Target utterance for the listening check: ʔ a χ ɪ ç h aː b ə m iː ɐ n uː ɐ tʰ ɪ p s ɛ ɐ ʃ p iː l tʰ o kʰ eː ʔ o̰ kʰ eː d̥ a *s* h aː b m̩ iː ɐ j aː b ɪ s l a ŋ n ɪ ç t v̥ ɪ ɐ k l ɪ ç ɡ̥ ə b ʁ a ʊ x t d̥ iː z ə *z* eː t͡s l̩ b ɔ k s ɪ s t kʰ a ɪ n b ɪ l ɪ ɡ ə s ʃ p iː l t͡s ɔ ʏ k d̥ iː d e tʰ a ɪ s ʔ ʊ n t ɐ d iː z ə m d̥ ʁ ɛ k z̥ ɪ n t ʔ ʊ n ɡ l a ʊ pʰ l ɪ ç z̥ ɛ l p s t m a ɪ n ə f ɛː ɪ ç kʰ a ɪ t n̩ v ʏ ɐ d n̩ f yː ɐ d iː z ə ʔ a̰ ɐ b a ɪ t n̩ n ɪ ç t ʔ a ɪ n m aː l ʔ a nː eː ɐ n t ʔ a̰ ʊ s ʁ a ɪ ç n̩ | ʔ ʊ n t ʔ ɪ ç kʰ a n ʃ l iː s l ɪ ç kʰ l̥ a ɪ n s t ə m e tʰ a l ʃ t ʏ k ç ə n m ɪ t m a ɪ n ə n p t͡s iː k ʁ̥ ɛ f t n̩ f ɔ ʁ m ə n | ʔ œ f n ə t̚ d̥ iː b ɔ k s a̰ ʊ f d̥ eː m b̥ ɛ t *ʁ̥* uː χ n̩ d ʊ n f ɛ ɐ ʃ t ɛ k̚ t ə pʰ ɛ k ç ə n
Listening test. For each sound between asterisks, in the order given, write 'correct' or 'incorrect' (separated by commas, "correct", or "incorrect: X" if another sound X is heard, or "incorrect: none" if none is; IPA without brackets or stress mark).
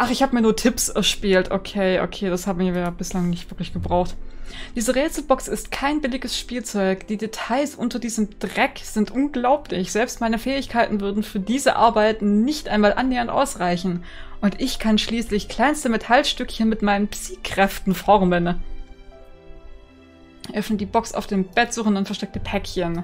correct, incorrect: ʁ, incorrect: z̥